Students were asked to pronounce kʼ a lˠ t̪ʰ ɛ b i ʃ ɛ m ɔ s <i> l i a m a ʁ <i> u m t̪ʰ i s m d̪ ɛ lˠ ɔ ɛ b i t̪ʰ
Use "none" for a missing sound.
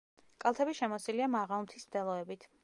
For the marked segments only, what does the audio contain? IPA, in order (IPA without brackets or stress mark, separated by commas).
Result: i, a